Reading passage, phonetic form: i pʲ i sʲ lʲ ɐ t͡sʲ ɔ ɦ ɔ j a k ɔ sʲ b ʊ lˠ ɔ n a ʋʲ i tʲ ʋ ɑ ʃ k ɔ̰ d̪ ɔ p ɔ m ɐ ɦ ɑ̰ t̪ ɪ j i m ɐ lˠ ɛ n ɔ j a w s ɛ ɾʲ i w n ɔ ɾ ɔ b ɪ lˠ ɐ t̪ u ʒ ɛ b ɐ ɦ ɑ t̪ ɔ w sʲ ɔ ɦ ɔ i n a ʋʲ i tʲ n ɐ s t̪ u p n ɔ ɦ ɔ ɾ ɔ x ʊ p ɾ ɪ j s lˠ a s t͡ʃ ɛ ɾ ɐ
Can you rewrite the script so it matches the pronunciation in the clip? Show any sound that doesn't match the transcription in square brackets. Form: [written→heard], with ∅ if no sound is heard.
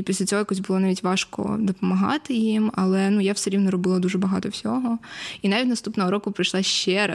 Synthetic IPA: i pʲ i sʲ lʲ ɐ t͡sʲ ɔ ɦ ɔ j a k ɔ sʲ b ʊ lˠ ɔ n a ʋʲ i tʲ ʋ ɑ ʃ k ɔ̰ d̪ ɔ p ɔ m ɐ ɦ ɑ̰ t̪ ɪ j i m ɐ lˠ ɛ n [ɔ→u] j a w s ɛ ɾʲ i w n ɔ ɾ ɔ b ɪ lˠ ɐ [t̪→d̪] u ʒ ɛ b ɐ ɦ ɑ t̪ ɔ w sʲ ɔ ɦ ɔ i n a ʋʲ i tʲ n ɐ s t̪ u p n ɔ ɦ ɔ ɾ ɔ [x→k] ʊ p ɾ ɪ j [s→ʃ] lˠ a [s→ʃ] t͡ʃ ɛ ɾ ɐ